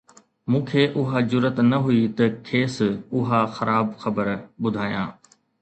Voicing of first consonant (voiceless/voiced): voiced